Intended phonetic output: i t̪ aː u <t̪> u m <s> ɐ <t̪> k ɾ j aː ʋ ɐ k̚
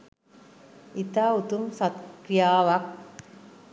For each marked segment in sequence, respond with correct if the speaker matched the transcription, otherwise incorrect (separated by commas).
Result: correct, correct, correct